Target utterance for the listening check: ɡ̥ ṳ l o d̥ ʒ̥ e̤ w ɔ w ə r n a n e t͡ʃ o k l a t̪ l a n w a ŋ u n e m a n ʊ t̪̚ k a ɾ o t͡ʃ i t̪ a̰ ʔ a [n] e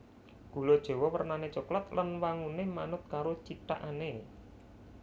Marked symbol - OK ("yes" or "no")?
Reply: yes